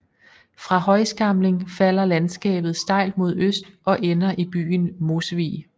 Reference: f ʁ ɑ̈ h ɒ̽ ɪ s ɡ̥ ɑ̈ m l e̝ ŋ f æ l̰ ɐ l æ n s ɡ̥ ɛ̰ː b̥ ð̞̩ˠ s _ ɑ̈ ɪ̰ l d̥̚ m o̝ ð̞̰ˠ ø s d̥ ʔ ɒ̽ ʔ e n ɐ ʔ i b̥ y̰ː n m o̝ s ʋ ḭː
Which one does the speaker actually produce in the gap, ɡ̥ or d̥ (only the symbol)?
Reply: d̥